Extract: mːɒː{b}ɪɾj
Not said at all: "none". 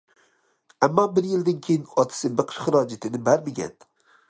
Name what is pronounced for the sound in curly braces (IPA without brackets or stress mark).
b